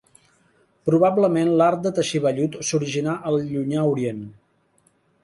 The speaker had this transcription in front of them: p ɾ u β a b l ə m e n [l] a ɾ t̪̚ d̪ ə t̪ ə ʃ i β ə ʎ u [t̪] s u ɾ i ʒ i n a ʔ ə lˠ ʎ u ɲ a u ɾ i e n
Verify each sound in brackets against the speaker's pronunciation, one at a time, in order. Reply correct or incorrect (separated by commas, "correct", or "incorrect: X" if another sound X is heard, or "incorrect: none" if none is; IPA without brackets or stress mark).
correct, correct